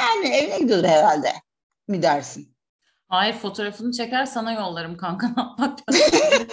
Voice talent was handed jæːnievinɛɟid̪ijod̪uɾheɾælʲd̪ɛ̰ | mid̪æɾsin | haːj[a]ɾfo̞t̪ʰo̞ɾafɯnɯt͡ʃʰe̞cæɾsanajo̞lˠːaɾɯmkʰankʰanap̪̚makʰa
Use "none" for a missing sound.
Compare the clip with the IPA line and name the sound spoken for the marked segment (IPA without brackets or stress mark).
i